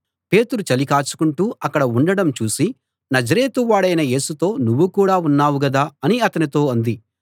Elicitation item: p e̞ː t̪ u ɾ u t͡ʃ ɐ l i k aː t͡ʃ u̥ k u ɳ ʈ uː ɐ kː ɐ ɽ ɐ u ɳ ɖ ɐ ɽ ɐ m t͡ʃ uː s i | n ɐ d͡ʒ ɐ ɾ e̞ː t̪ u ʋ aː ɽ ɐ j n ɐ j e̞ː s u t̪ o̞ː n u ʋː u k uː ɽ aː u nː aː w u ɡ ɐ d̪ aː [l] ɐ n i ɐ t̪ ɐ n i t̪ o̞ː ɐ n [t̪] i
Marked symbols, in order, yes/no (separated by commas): no, no